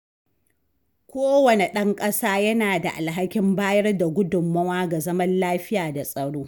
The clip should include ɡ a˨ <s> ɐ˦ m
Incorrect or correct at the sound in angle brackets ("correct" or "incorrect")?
incorrect